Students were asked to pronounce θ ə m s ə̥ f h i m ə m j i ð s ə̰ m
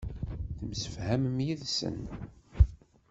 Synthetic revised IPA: θ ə m s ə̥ f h æ m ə m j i ð s ə̰ n